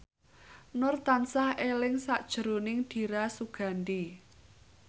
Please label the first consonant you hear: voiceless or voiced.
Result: voiced